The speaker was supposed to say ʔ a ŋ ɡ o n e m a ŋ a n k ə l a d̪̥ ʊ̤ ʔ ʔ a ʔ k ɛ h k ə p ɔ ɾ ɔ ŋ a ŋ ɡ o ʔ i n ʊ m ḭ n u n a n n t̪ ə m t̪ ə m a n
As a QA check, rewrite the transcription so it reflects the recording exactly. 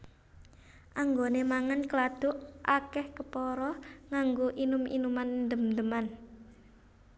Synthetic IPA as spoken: ʔ a ŋ ɡ o n e m a ŋ a n k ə l a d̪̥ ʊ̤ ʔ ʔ a k ɛ h k ə p ɔ ɾ ɔ ŋ a ŋ ɡ o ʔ i n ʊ m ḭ n u m a n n d̪ ə m d̪ ə m a n